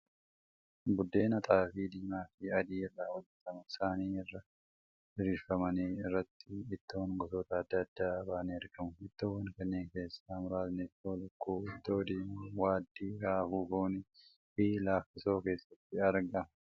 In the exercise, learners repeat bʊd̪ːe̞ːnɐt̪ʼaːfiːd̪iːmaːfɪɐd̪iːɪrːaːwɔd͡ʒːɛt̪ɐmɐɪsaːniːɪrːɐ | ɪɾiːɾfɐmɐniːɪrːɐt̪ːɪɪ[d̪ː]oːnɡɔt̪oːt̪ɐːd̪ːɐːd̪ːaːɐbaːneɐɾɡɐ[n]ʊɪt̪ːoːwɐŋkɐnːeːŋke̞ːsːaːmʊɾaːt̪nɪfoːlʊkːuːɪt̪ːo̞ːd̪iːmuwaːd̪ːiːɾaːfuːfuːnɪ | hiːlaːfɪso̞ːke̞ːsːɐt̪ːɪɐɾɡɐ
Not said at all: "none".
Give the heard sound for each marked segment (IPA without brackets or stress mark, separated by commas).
t̪ː, m